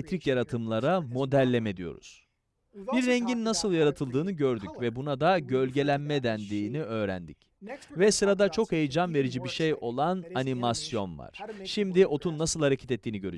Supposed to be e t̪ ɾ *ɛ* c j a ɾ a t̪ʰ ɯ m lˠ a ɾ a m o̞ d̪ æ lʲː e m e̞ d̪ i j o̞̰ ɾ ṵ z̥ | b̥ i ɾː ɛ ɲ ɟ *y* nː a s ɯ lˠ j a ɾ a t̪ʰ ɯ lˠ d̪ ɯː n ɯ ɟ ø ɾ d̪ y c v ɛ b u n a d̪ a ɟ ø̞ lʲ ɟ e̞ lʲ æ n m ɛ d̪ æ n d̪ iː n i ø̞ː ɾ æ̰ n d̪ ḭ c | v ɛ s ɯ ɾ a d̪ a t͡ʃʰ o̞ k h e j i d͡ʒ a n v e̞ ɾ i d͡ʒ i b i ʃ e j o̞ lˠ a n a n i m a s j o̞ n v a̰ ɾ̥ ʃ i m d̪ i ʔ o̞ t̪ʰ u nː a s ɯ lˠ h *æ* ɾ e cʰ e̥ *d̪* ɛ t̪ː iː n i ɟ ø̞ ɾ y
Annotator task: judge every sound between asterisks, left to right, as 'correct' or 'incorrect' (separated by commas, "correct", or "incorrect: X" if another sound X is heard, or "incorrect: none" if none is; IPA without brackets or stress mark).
incorrect: i, incorrect: i, incorrect: a, incorrect: t̪